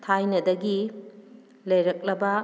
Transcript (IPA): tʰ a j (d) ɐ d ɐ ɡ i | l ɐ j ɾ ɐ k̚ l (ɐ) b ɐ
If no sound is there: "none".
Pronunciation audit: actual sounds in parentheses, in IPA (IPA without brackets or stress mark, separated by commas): n, ɐ